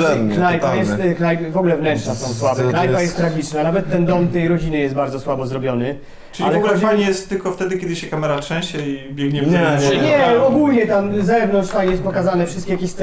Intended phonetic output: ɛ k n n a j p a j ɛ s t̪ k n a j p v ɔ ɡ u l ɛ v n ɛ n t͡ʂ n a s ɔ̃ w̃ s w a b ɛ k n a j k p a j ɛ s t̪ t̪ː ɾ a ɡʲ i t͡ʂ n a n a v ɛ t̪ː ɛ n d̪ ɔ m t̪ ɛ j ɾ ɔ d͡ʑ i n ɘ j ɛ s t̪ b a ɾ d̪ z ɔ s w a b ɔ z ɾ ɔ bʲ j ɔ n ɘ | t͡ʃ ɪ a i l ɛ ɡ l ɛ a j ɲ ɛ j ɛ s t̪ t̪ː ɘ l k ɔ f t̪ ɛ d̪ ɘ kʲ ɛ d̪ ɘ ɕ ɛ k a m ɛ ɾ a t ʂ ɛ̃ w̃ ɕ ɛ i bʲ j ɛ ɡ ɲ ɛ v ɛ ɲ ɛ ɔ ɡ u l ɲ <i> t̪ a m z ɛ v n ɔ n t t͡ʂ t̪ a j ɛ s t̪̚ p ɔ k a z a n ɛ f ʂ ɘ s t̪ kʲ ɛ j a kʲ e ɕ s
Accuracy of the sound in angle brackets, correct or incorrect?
incorrect